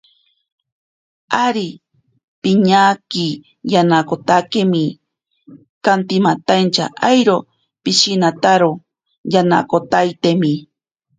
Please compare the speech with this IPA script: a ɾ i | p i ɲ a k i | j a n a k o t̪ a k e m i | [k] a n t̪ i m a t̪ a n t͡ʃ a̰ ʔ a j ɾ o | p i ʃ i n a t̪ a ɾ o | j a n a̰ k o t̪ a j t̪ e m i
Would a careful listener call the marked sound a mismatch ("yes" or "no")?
no